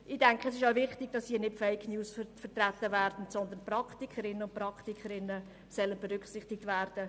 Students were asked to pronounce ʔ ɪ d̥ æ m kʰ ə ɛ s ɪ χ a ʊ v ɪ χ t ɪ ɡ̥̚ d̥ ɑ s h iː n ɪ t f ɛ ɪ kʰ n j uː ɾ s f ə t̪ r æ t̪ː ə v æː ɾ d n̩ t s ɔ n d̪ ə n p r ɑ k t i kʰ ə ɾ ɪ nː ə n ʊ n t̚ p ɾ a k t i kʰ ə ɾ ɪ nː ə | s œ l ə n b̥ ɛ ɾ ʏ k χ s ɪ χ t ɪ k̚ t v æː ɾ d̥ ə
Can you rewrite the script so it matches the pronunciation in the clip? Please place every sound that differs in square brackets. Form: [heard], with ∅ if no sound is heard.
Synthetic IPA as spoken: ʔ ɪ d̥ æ [ŋ] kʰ ə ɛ s ɪ [ʃ] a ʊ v ɪ χ t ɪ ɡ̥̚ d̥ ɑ s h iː n ɪ t f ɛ ɪ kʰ n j uː [∅] s f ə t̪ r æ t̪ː ə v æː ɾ d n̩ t s ɔ n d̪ ə n p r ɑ k t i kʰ ə ɾ ɪ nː ə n ʊ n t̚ p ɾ [ɑ] k t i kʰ ə ɾ ɪ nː ə | s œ l ə n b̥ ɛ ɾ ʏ k χ s ɪ χ t ɪ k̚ t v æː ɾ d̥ ə